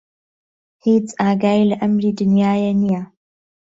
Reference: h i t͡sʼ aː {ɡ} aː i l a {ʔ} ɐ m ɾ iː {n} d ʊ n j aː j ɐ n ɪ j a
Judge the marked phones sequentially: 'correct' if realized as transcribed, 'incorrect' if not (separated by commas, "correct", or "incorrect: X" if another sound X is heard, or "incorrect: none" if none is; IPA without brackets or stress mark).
correct, correct, incorrect: none